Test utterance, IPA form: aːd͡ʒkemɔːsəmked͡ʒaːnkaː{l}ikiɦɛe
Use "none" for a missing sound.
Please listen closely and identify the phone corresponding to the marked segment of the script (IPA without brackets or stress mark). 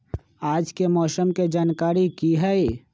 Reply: ɾ